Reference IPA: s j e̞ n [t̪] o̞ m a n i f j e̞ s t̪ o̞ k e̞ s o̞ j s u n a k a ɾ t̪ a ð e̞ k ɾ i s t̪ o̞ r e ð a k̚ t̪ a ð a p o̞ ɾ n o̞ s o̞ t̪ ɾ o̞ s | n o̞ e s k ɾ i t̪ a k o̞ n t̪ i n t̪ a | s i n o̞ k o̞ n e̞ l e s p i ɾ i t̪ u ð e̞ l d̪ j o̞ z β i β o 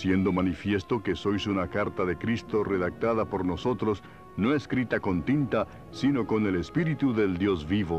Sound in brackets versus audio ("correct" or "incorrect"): incorrect